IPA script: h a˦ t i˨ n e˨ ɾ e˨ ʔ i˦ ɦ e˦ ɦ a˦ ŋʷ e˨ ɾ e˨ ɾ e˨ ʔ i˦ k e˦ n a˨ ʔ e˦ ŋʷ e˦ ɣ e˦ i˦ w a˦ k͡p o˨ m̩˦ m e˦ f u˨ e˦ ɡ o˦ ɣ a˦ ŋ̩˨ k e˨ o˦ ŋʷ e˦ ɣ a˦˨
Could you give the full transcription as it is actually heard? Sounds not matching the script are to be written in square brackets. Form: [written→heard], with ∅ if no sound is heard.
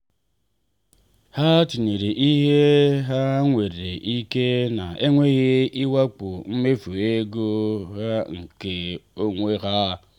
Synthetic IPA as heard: h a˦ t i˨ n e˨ ɾ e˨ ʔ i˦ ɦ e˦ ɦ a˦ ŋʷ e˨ ɾ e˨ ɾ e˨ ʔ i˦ k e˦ n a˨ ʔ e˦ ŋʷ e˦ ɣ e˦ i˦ w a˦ k͡p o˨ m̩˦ m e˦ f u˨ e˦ ɡ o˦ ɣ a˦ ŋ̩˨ k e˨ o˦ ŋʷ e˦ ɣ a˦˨

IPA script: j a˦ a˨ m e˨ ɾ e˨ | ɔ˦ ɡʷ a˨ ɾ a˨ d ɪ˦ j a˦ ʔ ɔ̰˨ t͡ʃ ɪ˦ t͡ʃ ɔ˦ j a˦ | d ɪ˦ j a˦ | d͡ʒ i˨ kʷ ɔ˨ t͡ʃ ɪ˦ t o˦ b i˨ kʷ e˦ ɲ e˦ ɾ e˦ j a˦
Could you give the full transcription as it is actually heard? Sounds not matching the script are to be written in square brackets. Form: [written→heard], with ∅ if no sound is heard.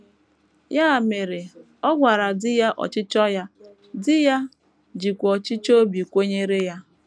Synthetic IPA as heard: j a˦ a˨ m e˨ ɾ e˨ | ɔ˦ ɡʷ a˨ ɾ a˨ d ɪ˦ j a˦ ʔ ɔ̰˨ t͡ʃ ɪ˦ t͡ʃ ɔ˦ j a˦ | d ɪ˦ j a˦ | d͡ʒ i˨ kʷ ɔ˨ t͡ʃ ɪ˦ [t→t͡ʃ] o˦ b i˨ kʷ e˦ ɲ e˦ ɾ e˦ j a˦

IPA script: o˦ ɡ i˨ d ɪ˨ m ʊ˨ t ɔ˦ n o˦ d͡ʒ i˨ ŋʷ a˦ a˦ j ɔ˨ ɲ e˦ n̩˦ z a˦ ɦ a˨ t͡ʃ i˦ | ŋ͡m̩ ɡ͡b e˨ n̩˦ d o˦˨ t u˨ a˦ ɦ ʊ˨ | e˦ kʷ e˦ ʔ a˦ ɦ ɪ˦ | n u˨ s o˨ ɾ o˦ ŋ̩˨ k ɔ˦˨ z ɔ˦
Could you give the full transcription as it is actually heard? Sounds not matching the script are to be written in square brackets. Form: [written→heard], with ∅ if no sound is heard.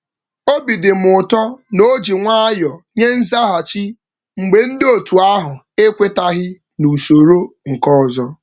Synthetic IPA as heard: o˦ [ɡ→b] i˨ d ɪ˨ m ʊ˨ t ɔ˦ n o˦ d͡ʒ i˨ ŋʷ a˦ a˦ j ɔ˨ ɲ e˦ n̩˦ z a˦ ɦ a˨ t͡ʃ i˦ | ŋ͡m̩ ɡ͡b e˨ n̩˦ d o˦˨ t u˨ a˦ ɦ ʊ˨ | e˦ kʷ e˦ [ʔ→t] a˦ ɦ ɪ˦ | n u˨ s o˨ ɾ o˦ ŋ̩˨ k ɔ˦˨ z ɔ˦

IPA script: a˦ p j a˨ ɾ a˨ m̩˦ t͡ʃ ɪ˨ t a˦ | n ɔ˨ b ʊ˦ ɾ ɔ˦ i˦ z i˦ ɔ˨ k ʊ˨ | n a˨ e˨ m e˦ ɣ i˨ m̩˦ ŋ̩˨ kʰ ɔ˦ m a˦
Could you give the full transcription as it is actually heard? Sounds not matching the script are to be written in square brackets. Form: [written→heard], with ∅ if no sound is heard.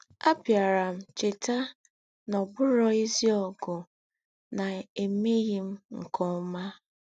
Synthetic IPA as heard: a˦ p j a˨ ɾ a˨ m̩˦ t͡ʃ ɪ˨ t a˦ | n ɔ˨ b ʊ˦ ɾ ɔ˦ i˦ z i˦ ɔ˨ [k→ɡ] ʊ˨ | n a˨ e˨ m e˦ ɣ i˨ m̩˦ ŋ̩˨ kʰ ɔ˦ m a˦

